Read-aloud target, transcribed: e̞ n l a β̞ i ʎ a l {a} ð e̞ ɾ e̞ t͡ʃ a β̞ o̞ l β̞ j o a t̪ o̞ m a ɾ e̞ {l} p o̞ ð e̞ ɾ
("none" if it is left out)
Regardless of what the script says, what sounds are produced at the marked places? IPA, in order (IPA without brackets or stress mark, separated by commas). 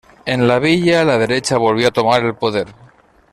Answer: a, l